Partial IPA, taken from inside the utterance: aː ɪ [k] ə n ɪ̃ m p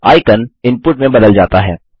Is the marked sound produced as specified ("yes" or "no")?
yes